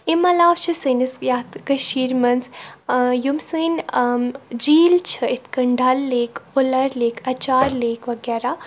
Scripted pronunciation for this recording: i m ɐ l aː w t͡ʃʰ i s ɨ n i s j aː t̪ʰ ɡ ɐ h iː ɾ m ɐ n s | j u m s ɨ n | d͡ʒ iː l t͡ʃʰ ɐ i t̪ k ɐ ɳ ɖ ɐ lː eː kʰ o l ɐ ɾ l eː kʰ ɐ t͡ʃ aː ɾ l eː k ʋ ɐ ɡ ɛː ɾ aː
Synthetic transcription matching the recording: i m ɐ l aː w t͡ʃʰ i s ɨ n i s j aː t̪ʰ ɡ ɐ ʃ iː ɾ m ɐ n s | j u m s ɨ n | d͡ʒ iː l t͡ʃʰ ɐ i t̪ k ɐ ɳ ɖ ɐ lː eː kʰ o l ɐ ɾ l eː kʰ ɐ t͡ʃ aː ɾ l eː k ʋ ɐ ɡ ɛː ɾ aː